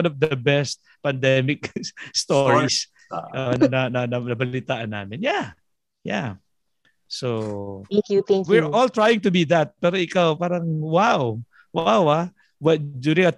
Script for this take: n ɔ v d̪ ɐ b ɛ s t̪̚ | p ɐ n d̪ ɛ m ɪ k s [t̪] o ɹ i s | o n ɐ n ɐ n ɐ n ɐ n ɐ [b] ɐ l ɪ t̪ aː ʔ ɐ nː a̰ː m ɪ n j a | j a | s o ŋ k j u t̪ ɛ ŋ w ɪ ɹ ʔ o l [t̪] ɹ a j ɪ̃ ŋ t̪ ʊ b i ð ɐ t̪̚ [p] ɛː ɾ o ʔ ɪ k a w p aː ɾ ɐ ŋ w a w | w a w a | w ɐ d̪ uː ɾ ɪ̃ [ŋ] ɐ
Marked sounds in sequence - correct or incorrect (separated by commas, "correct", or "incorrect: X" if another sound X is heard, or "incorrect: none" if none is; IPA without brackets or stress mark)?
correct, correct, correct, correct, correct